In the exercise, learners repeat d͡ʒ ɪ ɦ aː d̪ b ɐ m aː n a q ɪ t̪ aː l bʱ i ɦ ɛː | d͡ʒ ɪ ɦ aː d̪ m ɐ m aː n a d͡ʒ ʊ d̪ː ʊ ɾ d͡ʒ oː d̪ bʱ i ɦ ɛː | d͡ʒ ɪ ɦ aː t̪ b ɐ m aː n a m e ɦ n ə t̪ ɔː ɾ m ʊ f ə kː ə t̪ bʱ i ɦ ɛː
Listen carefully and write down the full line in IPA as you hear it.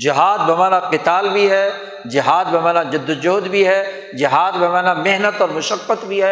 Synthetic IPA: d͡ʒ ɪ ɦ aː d̪ b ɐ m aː n a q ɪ t̪ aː l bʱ i ɦ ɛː | d͡ʒ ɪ ɦ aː d̪ b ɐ m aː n a d͡ʒ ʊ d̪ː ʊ d͡ʒ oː d̪ bʱ i ɦ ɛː | d͡ʒ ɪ ɦ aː d̪ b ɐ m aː n a m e ɦ n ə t̪ ɔː ɾ m ʊ ʃ ə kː ə t̪ bʱ i ɦ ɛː